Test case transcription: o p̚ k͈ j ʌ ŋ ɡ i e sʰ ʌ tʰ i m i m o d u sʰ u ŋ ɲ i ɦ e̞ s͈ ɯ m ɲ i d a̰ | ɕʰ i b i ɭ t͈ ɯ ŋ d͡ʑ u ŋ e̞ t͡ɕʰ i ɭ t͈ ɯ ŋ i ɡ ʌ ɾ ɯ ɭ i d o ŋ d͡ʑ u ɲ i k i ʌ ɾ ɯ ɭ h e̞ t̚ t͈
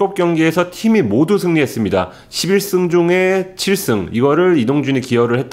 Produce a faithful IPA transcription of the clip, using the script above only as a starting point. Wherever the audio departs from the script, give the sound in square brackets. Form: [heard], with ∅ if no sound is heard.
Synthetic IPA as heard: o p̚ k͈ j ʌ ŋ ɡ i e sʰ ʌ tʰ i m i m o d u sʰ [ɯ] ŋ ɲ i ɦ e̞ s͈ ɯ m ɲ i d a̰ | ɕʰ i b i ɭ [s͈] ɯ ŋ d͡ʑ u ŋ e̞ t͡ɕʰ i ɭ [s͈] ɯ ŋ i ɡ ʌ ɾ ɯ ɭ i d o ŋ d͡ʑ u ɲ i k i ʌ ɾ ɯ ɭ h e̞ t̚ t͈